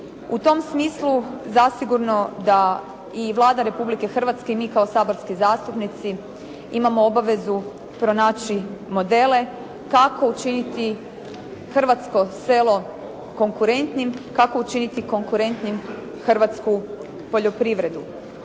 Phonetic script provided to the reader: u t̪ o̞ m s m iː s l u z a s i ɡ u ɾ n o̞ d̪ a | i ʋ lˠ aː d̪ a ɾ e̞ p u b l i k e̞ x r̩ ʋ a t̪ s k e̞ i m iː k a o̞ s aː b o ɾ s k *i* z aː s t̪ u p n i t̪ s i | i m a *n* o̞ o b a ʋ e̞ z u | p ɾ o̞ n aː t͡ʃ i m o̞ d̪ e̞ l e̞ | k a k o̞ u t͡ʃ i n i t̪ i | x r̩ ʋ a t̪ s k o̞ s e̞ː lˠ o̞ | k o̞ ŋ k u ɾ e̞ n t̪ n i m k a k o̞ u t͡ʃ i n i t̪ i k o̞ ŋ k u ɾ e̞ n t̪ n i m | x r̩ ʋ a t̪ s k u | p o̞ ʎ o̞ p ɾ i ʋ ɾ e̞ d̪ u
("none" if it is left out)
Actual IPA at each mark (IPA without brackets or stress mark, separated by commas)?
i, m